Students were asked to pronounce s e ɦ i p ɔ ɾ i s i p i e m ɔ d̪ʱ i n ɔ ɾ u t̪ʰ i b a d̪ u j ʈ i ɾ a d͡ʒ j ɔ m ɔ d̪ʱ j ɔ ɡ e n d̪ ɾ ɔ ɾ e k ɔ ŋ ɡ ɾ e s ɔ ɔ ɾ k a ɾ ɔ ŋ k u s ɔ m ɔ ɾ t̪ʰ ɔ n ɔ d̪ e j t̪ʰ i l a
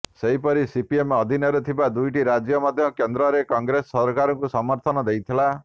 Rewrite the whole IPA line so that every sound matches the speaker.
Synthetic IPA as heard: s e ɦ i p ɔ ɾ i s i p i e m ɔ d̪ʱ i n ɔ ɾ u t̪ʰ i b a d̪ u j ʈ i ɾ a d͡ʒ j ɔ m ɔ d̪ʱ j ɔ k e n d̪ ɾ ɔ ɾ e k ɔ ŋ ɡ ɾ e s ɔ ɔ ɾ k a ɾ ɔ ŋ k u s ɔ m ɔ ɾ t̪ʰ ɔ n ɔ d̪ e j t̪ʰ i l a